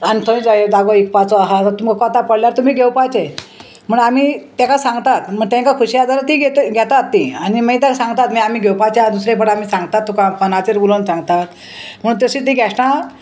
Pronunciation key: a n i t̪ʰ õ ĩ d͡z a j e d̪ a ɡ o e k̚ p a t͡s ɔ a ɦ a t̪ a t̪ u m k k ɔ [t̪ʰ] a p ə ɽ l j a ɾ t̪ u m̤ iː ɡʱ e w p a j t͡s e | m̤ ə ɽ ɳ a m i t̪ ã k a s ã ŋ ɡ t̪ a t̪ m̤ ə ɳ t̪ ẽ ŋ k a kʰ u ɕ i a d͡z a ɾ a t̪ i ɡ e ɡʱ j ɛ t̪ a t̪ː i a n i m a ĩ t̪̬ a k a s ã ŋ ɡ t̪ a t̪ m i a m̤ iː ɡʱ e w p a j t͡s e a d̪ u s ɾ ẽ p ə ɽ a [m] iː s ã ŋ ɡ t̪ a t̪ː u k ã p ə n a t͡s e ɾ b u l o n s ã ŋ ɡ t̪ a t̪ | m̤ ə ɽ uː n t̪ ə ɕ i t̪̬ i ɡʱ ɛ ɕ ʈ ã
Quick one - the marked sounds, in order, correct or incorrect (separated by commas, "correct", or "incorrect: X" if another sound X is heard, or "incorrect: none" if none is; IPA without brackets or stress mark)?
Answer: incorrect: t̪, correct